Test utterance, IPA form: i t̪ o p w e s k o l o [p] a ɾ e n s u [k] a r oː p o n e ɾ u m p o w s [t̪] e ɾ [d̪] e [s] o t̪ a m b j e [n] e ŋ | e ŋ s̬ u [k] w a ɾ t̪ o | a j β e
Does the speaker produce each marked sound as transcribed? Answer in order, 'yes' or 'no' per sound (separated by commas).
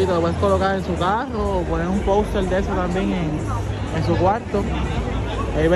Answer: no, yes, yes, yes, yes, no, yes